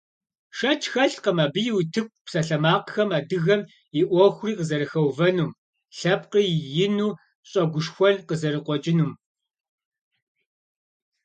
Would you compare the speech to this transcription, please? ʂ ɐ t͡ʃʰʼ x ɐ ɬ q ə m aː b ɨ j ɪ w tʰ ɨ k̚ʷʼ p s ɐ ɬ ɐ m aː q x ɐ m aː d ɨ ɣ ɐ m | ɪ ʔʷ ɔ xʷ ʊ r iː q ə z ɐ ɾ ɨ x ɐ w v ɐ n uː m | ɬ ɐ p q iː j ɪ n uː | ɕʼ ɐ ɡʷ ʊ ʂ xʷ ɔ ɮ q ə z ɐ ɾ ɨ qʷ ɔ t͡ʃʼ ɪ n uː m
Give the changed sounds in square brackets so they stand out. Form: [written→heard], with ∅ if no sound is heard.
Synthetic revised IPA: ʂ ɐ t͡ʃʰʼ x ɐ ɬ q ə m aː b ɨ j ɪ w tʰ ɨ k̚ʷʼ p s ɐ ɬ ɐ m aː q x ɐ m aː d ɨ ɣ ɐ m | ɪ ʔʷ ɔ xʷ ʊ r iː q ə z ɐ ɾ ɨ x ɐ w v ɐ n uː m | ɬ ɐ p q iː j ɪ n uː | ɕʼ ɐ ɡʷ ʊ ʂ xʷ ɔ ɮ q ə z ɐ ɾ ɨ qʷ ɔ t͡ʃʼ ɪ n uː m